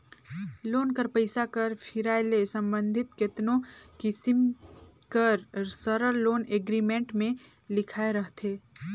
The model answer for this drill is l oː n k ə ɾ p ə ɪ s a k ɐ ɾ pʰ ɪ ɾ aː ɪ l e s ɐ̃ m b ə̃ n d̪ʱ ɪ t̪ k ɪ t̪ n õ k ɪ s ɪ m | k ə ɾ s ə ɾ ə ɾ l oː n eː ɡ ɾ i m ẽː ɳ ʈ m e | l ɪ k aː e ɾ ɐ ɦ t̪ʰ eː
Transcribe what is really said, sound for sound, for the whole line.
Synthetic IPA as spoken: l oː n k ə ɾ p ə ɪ s a k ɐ ɾ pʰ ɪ ɾ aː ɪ l e s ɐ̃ m b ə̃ n d̪ʱ ɪ t̪ k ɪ t̪ n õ k ɪ s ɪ m | k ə ɾ s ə ɾ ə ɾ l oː n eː ɡ ɾ i m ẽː ɳ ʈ m ẽ | l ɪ kʰ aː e ɾ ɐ ɦ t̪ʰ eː